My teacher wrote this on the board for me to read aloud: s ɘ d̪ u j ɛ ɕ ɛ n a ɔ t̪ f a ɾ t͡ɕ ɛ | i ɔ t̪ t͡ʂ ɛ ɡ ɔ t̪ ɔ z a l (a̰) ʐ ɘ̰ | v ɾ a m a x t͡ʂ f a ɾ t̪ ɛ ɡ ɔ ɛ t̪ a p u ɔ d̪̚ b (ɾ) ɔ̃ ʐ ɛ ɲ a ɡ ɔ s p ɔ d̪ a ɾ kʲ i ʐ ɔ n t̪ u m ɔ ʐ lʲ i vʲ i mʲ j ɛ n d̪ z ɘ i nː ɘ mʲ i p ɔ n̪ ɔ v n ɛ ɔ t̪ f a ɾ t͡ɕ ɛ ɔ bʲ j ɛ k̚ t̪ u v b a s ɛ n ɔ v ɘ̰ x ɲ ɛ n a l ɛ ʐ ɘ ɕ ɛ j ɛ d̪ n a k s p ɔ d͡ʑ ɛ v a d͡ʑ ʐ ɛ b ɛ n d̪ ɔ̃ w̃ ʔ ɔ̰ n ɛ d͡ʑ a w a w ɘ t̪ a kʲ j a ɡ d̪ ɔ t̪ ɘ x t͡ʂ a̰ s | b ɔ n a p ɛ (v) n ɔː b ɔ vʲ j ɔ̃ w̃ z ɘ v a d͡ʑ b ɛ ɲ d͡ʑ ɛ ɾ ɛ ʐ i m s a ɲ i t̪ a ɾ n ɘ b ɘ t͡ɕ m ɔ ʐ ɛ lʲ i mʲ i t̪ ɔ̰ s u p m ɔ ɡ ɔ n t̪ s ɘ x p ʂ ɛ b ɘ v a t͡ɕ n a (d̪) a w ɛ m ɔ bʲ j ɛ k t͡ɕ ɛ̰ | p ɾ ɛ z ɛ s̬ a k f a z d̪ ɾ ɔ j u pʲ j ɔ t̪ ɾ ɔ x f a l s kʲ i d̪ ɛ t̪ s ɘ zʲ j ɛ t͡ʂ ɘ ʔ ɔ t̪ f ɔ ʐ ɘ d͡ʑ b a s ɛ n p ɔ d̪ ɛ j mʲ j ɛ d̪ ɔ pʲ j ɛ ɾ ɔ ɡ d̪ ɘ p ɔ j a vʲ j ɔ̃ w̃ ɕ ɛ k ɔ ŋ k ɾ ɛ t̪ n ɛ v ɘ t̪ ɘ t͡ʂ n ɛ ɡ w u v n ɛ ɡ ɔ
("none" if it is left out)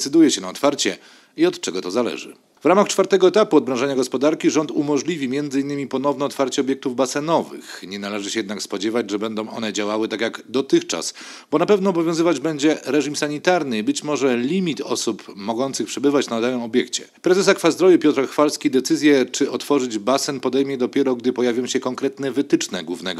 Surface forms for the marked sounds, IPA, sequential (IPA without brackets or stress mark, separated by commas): ɛ̰, ɾ, v, d̪